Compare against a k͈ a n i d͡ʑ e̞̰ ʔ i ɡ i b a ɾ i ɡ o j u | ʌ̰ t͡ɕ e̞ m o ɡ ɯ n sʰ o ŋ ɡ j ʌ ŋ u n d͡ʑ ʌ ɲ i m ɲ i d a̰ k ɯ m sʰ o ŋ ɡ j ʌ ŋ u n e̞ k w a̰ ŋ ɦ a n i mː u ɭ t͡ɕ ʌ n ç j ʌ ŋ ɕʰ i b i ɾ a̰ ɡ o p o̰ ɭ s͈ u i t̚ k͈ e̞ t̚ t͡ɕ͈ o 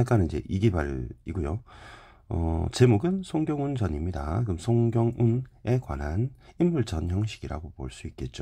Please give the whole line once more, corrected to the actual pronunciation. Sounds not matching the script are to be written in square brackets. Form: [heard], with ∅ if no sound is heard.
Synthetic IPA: a k͈ a n i d͡ʑ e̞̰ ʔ i ɡ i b a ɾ i ɡ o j [o] | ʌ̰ t͡ɕ e̞ m o ɡ ɯ n sʰ o ŋ ɡ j ʌ ŋ u n d͡ʑ ʌ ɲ i m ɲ i d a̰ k ɯ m sʰ o ŋ ɡ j ʌ ŋ u n e̞ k w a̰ [n] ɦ a n i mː u ɭ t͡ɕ ʌ n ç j ʌ ŋ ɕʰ i [ɡ] i ɾ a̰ ɡ o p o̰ ɭ s͈ u i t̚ k͈ e̞ t̚ t͡ɕ͈ o